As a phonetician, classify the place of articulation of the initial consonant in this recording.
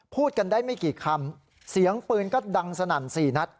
labial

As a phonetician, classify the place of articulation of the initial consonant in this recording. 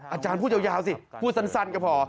glottal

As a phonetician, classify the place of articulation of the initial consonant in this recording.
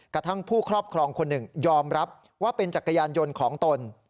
velar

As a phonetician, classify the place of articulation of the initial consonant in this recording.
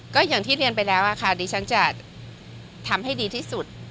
velar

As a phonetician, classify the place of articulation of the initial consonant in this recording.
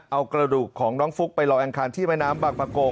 glottal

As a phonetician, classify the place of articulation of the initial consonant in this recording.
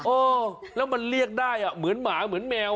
glottal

